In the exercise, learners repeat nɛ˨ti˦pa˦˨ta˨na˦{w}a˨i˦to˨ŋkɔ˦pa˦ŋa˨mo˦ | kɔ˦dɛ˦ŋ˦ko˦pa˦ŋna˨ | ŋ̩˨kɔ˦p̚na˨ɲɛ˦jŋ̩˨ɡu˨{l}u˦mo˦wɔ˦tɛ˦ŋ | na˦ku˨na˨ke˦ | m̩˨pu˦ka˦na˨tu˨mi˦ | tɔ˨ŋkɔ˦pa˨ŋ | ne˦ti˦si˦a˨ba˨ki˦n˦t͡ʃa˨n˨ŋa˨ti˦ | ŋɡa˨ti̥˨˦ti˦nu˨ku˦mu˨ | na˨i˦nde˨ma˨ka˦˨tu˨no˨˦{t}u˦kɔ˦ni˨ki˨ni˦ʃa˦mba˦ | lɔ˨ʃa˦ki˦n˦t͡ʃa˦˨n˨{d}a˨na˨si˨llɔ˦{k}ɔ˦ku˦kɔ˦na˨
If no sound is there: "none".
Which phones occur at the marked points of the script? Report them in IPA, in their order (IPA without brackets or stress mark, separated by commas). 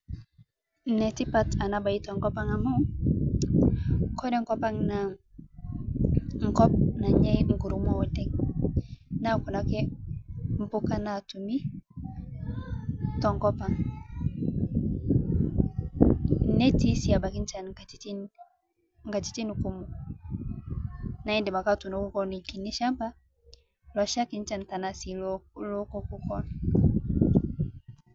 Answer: b, ɾ, k, t, k